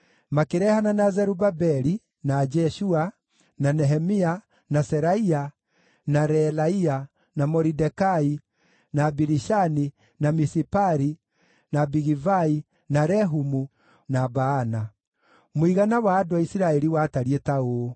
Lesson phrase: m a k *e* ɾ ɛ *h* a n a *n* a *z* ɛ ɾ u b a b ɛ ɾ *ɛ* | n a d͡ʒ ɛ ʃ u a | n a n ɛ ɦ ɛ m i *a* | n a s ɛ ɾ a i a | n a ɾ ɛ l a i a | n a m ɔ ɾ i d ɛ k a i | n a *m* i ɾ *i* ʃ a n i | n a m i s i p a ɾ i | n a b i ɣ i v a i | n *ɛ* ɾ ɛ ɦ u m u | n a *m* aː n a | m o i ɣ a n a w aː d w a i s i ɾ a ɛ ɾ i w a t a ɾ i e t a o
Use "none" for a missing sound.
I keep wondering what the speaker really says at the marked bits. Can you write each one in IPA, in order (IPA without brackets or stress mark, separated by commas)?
e, h, n, z, i, a, b, i, a, b